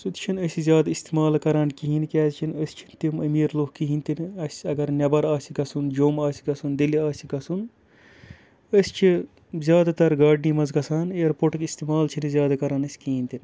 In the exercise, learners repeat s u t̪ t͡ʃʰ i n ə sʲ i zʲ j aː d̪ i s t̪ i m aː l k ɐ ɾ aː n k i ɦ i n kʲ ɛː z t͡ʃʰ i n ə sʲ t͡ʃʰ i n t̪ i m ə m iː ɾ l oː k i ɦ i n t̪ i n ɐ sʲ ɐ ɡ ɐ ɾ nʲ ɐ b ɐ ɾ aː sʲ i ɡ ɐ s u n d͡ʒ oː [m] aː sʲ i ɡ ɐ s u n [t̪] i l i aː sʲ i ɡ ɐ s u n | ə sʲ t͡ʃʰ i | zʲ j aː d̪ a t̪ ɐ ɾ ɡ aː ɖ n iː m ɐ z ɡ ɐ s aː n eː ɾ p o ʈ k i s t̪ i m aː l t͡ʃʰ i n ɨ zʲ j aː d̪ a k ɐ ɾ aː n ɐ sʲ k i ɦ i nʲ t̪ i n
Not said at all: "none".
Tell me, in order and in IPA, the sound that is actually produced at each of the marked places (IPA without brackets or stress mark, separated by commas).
m, d̪